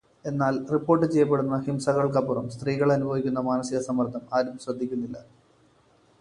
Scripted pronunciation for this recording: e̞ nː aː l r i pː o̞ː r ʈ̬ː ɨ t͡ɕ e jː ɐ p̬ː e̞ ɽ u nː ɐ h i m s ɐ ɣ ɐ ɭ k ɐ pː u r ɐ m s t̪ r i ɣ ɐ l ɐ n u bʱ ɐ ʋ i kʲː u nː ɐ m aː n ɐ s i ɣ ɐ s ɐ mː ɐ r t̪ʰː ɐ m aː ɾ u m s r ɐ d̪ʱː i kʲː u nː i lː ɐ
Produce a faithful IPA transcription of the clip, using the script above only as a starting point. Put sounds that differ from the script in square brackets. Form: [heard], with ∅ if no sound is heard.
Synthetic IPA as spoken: e̞ nː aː l r i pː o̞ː r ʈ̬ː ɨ t͡ɕ e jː ɐ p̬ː e̞ ɽ u nː ɐ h i m s ɐ ɣ ɐ ɭ k ɐ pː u r ɐ m s t̪ r [iː] ɣ ɐ [ɭ] ɐ n u bʱ ɐ ʋ i kʲː u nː ɐ m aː n ɐ s i ɣ ɐ s ɐ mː ɐ r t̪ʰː ɐ m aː ɾ u m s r ɐ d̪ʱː i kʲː u nː i lː ɐ

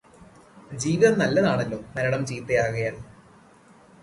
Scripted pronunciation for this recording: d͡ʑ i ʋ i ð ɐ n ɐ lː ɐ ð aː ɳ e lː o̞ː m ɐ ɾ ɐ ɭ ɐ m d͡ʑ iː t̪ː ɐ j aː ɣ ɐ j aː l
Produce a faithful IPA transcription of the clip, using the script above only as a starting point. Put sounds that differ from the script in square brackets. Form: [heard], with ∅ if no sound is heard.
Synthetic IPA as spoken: d͡ʑ [iː] ʋ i ð ɐ n ɐ lː ɐ ð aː ɳ e lː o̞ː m ɐ ɾ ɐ [ɽ] ɐ m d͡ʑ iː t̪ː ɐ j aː ɣ ɐ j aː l

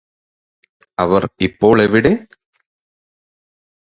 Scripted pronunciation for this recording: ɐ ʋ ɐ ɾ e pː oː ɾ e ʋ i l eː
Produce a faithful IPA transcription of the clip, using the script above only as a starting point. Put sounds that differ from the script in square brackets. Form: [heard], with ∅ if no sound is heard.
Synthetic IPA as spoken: ɐ ʋ ɐ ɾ [i] pː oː [ɭ] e ʋ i [ɽ] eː

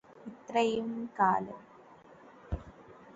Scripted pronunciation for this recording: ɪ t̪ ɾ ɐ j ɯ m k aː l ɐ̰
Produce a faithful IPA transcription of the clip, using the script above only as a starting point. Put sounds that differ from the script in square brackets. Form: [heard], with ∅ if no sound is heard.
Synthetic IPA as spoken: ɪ t̪ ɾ ɐ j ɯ m k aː l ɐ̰

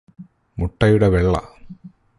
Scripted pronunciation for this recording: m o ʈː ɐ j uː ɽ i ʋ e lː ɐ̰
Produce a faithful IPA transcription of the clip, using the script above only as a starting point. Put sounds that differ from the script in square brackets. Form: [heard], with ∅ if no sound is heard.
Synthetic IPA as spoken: m [u] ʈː ɐ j [u] ɽ [e] ʋ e [ɭː] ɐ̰

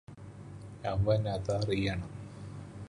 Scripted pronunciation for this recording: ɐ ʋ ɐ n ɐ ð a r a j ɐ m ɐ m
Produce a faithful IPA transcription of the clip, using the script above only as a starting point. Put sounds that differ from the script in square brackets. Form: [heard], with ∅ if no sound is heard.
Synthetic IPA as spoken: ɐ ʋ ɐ n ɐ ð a r [i] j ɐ [ɳ] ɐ m

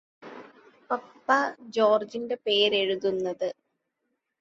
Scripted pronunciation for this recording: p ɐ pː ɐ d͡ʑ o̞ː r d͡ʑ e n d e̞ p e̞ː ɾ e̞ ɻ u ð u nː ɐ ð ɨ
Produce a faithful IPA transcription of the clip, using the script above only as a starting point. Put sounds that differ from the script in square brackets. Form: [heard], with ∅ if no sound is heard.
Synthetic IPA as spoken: p ɐ pː ɐ d͡ʑ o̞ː r d͡ʑ [i] n d e̞ p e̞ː ɾ e̞ ɻ u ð u nː ɐ ð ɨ

